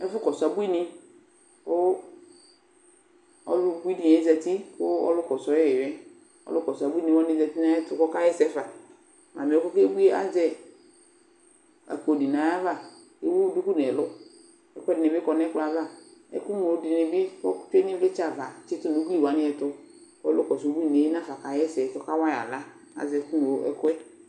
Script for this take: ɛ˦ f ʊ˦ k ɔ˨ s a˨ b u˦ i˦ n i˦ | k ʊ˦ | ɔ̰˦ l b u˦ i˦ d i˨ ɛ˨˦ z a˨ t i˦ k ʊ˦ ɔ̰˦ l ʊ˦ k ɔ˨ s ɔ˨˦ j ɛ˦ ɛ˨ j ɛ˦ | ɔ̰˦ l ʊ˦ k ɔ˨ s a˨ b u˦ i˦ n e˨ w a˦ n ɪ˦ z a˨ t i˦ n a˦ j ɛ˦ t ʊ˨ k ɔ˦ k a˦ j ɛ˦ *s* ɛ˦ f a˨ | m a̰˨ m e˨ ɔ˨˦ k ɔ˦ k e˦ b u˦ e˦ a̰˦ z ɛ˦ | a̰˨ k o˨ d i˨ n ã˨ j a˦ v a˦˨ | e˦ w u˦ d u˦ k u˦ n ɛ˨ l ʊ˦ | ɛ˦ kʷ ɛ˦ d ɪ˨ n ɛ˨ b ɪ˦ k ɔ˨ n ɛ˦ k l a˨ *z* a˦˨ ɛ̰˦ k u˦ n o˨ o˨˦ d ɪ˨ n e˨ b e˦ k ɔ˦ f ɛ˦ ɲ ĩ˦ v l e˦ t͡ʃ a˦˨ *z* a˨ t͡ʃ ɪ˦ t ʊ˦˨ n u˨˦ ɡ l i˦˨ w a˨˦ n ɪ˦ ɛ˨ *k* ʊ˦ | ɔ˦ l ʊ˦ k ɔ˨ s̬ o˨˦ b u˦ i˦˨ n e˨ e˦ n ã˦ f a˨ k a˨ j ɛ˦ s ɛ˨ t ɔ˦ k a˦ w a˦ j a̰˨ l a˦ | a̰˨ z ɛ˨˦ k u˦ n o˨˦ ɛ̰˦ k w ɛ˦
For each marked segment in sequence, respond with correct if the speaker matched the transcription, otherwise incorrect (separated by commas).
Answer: correct, incorrect, incorrect, incorrect